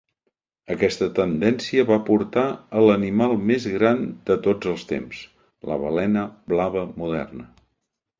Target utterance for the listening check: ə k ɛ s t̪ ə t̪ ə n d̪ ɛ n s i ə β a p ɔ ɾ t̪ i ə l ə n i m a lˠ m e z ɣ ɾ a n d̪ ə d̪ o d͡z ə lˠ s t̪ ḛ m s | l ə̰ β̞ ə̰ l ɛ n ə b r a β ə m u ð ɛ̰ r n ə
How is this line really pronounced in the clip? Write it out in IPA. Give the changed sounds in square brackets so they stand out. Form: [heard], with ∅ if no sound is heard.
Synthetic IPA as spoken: ə k ɛ s t̪ ə t̪ ə n d̪ ɛ n s i ə β a p [u] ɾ t̪ [a] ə l ə n i m a lˠ m e z ɣ ɾ a n d̪ ə [t̪] o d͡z ə lˠ s t̪ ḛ m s | l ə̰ β̞ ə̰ l ɛ n ə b [l] a β ə m u ð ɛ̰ r n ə